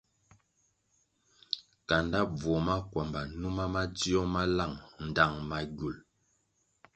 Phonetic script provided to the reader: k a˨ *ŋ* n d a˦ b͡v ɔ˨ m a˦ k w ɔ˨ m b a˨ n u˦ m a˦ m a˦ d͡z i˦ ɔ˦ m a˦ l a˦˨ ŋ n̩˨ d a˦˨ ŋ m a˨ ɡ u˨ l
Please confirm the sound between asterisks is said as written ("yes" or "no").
no